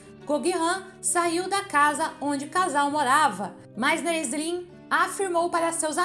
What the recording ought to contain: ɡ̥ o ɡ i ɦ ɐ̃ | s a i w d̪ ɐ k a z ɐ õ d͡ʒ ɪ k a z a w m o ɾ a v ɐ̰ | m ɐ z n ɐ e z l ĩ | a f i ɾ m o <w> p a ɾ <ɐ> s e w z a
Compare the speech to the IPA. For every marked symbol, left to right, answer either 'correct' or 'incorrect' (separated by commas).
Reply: correct, correct